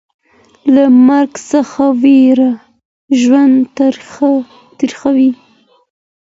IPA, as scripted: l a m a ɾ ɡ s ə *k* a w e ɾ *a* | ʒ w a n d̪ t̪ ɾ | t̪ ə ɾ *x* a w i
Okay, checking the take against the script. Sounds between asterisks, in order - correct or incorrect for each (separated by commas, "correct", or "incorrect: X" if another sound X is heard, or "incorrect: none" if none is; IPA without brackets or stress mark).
incorrect: x, correct, correct